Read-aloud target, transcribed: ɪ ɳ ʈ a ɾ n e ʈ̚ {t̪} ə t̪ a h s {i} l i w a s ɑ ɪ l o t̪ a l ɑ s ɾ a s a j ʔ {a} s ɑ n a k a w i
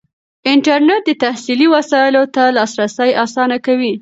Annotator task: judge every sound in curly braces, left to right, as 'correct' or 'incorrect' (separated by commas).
incorrect, correct, incorrect